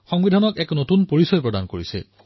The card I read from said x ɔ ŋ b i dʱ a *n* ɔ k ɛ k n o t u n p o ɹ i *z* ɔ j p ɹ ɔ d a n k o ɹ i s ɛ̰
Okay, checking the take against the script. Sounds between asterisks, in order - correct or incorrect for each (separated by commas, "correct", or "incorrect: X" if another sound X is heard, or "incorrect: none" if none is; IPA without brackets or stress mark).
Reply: correct, incorrect: s